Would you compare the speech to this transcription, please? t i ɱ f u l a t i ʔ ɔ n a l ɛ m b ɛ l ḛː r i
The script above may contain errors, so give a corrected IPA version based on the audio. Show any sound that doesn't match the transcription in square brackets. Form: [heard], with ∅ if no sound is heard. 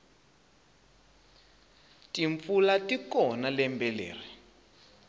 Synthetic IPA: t i ɱ f u l a t i [k] ɔ n a l ɛ m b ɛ l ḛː r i